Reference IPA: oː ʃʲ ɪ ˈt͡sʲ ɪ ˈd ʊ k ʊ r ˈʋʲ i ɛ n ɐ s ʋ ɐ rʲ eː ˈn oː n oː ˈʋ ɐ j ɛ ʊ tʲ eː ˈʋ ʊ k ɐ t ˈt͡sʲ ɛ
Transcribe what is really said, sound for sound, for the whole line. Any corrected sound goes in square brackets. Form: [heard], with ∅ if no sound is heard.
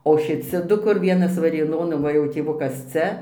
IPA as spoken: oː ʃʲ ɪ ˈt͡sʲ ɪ ˈd ʊ k ʊ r ˈʋʲ i ɛ n ɐ s ʋ ɐ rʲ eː ˈn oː n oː ˈʋ ɐ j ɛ ʊ tʲ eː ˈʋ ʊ k ɐ [s] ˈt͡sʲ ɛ

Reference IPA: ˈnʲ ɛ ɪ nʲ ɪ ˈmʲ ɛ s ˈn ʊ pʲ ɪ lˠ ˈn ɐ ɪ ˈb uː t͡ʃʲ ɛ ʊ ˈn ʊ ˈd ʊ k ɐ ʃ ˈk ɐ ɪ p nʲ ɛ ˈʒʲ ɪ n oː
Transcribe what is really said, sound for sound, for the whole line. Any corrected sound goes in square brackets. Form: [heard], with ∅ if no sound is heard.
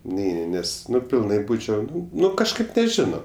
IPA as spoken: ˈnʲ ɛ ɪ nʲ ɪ [ˈnʲ] ɛ s ˈn ʊ pʲ ɪ lˠ ˈn ɐ ɪ ˈb uː t͡ʃʲ ɛ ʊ ˈn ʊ [ˈn] ʊ k ɐ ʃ ˈk ɐ ɪ p nʲ ɛ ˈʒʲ ɪ n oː

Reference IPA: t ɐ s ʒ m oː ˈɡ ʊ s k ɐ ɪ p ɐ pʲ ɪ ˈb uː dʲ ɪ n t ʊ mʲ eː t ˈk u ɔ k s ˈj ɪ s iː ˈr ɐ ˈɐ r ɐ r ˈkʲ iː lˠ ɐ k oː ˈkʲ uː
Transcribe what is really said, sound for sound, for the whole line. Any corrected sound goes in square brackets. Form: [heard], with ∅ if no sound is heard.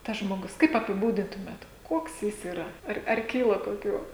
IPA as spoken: t ɐ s ʒ m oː ˈɡ ʊ s k ɐ ɪ p ɐ pʲ ɪ ˈb uː dʲ ɪ n t ʊ mʲ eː t ˈk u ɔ k s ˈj ɪ s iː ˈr ɐ ˈɐ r ɐ r ˈkʲ iː lˠ ɐ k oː ˈkʲ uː

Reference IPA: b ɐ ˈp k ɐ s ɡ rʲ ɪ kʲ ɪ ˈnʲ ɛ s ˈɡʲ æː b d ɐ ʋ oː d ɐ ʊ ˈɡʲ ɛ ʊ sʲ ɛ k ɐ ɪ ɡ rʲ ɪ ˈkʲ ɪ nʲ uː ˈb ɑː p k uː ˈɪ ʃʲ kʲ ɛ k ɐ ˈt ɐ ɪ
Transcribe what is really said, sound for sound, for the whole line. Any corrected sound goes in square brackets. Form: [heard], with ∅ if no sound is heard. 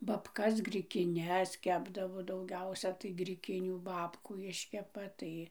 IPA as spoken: b ɐ ˈp k ɐ s ɡ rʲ ɪ kʲ ɪ ˈnʲ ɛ s [ˈkʲ] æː b d ɐ ʋ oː d ɐ ʊ ˈɡʲ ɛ ʊ sʲ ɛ [t] ɐ ɪ ɡ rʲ ɪ ˈkʲ ɪ nʲ uː ˈb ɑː p k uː ˈɪ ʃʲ kʲ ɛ [p] ɐ ˈt ɐ ɪ

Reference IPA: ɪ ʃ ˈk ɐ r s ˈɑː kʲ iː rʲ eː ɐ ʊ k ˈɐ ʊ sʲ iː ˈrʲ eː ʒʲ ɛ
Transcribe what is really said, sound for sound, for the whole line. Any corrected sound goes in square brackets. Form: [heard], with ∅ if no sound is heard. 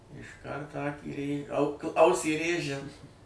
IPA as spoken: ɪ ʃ ˈk ɐ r [t] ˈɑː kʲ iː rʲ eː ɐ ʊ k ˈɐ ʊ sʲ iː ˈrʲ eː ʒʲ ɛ

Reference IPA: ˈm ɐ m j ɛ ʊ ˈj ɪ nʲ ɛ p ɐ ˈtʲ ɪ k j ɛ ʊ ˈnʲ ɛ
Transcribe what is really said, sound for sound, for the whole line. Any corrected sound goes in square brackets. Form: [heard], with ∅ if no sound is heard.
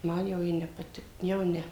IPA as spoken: ˈm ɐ [n] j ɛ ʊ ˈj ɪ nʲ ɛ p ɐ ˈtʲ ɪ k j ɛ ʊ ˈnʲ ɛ

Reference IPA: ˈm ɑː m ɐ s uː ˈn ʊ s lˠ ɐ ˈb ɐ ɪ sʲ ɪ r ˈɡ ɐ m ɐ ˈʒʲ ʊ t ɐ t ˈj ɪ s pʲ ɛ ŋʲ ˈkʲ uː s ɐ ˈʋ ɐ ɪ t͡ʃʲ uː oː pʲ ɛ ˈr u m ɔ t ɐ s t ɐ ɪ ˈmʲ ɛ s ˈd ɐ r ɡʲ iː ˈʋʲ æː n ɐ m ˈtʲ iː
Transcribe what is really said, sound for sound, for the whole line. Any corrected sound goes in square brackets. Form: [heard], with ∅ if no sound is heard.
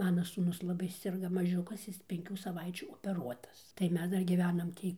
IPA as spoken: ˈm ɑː [n] ɐ s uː ˈn ʊ s lˠ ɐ ˈb ɐ ɪ sʲ ɪ r ˈɡ ɐ m ɐ ˈʒʲ ʊ [k] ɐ [s] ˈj ɪ s pʲ ɛ ŋʲ ˈkʲ uː s ɐ ˈʋ ɐ ɪ t͡ʃʲ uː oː pʲ ɛ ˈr u [∅] ɔ t ɐ s t ɐ ɪ ˈmʲ ɛ s ˈd ɐ r ɡʲ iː ˈʋʲ æː n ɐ m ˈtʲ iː

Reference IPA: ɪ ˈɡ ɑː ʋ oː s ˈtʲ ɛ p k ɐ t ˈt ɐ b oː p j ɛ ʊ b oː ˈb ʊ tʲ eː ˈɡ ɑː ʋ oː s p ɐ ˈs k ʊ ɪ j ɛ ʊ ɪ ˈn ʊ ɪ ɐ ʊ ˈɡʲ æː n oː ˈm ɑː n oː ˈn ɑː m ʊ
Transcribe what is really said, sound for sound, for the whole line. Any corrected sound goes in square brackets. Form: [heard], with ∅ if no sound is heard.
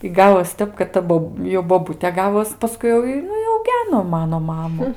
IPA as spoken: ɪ ˈɡ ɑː ʋ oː s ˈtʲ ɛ p k ɐ t ˈt ɐ b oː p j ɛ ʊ b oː ˈb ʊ tʲ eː ˈɡ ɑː ʋ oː s p ɐ ˈs k ʊ ɪ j ɛ ʊ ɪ ˈn ʊ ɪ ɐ ʊ ˈɡʲ æː n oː ˈm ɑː n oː [ˈm] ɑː m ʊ

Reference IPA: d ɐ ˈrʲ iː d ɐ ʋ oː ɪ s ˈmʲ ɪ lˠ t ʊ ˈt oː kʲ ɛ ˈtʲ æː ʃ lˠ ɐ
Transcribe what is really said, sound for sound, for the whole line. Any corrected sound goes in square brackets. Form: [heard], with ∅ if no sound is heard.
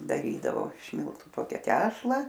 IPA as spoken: d ɐ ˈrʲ iː d ɐ ʋ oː ɪ [ʃ] ˈmʲ ɪ lˠ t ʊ ˈt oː kʲ ɛ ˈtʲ æː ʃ lˠ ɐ

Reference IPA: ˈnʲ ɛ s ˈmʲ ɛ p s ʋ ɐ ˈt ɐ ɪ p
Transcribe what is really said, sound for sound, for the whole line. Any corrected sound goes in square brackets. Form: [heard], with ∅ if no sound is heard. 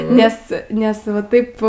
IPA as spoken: ˈnʲ ɛ s [ˈnʲ] ɛ [∅] s ʋ ɐ ˈt ɐ ɪ p

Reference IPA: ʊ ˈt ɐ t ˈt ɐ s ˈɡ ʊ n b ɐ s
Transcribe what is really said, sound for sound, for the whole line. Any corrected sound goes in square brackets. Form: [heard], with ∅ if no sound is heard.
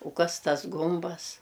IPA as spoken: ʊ [ˈk] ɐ [s] ˈt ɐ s ˈɡ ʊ [m] b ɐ s

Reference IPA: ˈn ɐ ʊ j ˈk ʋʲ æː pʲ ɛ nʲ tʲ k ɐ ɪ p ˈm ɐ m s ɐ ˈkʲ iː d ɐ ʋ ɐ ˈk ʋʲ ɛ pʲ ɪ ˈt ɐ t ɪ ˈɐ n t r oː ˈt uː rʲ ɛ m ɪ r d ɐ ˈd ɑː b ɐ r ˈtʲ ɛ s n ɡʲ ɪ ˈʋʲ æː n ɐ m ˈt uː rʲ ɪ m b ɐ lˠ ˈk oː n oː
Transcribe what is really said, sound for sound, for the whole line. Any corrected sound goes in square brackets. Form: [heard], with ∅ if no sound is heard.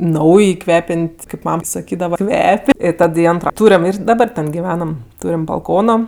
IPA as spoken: ˈn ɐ ʊ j ˈk ʋʲ æː pʲ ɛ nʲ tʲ k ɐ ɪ p ˈm ɐ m s ɐ ˈkʲ iː d ɐ ʋ ɐ ˈk ʋʲ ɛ pʲ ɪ ˈt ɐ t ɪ ˈɐ n t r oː ˈt uː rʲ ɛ m ɪ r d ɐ ˈd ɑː b ɐ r ˈtʲ ɛ [∅] n ɡʲ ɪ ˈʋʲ æː n ɐ m ˈt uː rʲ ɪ m b ɐ lˠ ˈk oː n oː

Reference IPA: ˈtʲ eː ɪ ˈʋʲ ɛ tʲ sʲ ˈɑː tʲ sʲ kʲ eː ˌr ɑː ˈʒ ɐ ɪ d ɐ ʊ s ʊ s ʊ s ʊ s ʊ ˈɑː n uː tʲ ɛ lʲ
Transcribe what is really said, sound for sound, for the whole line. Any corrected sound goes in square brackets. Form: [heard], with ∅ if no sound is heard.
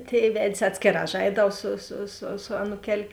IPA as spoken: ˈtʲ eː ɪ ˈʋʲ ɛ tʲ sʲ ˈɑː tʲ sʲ kʲ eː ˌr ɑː ˈʒ ɐ ɪ d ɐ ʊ s ʊ s ʊ s ʊ s ʊ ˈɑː n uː [kʲ] ɛ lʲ

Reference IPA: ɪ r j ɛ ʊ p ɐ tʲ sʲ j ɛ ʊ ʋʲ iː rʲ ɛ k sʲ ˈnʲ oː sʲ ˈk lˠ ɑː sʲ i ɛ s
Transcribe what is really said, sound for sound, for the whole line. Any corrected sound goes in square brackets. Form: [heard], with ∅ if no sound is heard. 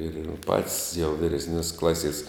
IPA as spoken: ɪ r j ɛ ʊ p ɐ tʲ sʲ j ɛ ʊ ʋʲ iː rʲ ɛ [∅] sʲ ˈnʲ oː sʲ ˈk lˠ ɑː sʲ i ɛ s

